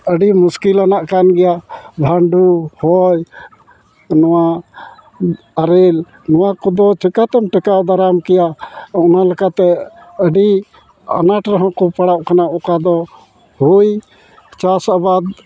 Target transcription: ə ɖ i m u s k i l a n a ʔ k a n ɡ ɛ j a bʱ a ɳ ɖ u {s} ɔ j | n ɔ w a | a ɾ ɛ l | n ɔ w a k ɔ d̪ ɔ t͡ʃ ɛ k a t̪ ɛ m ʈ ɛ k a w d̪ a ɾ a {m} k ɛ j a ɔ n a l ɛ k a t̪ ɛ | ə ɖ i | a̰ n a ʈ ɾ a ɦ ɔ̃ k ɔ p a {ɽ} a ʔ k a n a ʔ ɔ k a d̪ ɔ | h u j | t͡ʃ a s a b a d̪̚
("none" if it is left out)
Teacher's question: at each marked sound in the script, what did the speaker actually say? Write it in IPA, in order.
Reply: h, m, ɽ

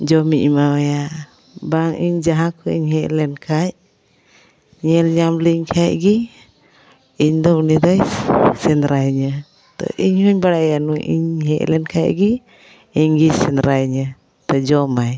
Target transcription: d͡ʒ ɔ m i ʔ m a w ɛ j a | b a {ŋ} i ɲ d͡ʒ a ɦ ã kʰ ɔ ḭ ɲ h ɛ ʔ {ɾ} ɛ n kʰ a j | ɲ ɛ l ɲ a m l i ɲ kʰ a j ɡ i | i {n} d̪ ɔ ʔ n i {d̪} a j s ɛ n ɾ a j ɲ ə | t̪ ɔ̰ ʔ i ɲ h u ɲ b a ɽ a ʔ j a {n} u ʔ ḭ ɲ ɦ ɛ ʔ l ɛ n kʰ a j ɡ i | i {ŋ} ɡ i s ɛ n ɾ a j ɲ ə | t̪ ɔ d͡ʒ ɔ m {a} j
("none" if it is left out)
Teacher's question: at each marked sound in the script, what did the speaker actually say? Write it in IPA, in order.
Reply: ŋ, l, ɲ, d̪, n, ɲ, a

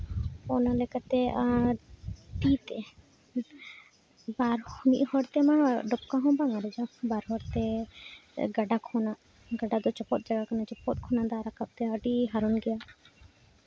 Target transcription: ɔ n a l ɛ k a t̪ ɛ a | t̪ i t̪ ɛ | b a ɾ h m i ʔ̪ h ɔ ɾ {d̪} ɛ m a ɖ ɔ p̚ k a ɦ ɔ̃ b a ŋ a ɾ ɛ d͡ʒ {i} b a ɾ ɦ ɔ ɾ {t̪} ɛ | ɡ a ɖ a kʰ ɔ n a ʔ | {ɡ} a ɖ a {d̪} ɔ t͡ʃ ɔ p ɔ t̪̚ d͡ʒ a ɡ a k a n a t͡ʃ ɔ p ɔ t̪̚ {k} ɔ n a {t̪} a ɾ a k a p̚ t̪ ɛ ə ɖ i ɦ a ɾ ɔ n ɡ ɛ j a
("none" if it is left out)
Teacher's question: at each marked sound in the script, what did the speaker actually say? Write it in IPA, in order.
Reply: t̪, a, t̪, ɡ, d̪, kʰ, d̪

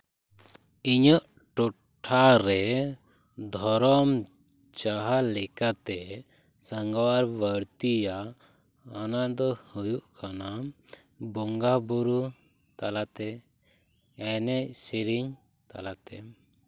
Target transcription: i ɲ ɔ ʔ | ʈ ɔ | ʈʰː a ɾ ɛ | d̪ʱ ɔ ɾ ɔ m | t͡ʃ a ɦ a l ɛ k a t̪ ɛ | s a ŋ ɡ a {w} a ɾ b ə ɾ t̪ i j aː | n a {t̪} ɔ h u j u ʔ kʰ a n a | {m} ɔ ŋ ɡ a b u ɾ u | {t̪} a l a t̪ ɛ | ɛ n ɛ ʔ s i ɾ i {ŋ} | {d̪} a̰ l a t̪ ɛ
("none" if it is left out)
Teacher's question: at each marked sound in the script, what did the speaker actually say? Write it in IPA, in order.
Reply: w, d̪, b, t̪, ɲ, t̪

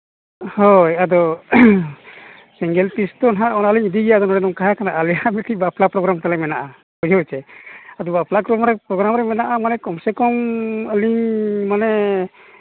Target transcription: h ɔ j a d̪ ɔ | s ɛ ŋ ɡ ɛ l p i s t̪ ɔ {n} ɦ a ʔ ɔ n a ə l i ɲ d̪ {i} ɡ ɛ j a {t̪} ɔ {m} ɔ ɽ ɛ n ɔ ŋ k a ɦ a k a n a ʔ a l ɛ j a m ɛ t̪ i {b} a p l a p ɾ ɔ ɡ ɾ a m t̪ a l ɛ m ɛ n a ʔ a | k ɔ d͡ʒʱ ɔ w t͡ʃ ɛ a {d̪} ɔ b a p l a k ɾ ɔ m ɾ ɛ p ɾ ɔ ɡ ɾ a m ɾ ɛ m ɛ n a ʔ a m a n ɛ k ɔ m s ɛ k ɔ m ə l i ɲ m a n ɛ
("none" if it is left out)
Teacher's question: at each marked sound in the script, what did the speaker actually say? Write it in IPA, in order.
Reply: n, i, d̪, n, b, d̪

